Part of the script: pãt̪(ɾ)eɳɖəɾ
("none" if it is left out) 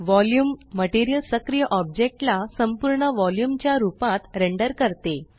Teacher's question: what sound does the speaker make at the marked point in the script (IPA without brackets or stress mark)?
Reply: ɾ